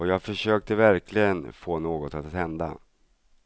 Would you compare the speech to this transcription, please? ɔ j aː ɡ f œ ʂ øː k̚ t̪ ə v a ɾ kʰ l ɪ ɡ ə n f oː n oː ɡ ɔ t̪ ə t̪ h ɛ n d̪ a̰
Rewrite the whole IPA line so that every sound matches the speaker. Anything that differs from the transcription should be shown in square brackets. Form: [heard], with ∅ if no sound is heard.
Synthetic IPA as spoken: ɔ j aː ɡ f œ ʂ øː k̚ t̪ ə v [æ] ɾ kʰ l ɪ ɡ ə n f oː n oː ɡ ɔ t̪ [a] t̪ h ɛ n d̪ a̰